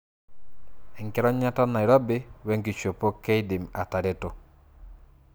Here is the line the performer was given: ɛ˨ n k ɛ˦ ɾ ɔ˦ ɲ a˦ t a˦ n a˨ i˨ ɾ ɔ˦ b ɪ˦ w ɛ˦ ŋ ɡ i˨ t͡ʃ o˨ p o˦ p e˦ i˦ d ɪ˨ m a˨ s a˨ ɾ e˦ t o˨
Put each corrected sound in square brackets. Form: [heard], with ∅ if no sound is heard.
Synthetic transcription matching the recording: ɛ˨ [ŋ] k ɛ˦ ɾ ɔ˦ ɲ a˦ t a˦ n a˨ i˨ ɾ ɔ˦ b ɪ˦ w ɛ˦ ŋ ɡ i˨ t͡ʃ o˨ p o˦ [k] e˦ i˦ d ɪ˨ m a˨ [t] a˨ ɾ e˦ t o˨